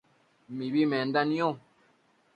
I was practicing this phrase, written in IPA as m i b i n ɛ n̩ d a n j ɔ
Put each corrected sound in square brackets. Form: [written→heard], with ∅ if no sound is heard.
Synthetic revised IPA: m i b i [n→m] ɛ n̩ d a n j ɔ